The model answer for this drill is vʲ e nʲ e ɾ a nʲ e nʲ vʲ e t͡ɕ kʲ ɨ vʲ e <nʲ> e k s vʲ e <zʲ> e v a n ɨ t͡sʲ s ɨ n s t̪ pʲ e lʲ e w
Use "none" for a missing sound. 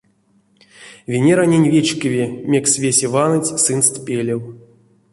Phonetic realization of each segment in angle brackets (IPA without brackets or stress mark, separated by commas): mʲ, sʲ